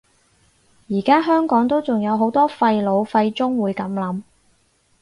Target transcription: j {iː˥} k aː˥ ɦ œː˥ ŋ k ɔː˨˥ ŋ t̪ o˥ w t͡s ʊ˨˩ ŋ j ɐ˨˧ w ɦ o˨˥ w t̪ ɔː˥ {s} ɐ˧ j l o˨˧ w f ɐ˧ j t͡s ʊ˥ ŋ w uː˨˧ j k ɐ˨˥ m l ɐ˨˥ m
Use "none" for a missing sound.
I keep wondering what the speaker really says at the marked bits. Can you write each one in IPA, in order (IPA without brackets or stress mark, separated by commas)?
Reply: iː˨˩, f